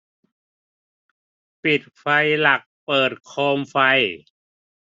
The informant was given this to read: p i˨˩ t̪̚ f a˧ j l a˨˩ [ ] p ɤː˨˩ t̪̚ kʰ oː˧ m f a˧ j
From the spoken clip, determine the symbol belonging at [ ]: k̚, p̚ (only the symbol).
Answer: k̚